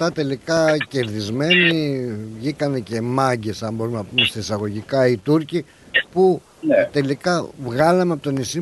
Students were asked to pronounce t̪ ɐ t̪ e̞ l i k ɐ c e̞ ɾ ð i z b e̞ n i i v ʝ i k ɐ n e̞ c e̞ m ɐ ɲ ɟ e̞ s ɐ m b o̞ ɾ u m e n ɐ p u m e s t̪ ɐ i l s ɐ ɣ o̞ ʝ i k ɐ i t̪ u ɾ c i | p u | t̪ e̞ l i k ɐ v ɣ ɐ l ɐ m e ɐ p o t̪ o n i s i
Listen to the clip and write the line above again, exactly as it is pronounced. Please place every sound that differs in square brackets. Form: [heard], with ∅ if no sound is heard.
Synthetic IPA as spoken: t̪ ɐ t̪ e̞ l i k ɐ c e̞ ɾ ð i z [m] e̞ n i i v ʝ i k ɐ n e̞ c e̞ m ɐ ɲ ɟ e̞ s ɐ m b o̞ ɾ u m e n ɐ p u m e s t̪ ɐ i [∅] s ɐ ɣ o̞ ʝ i k ɐ i t̪ u ɾ c i | p u | t̪ e̞ l i k ɐ v ɣ ɐ l ɐ m e ɐ p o t̪ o n i s i